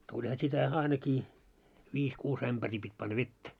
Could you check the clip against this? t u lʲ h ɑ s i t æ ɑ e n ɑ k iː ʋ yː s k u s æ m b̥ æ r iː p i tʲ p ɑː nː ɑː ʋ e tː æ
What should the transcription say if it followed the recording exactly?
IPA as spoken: t u lʲ h ɑ s i t æ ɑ i n ɑ k iː ʋ iː s k uː s æ m b̥ æ r iː p i tʲ p ɑ nː ɑ ʋ e tː æ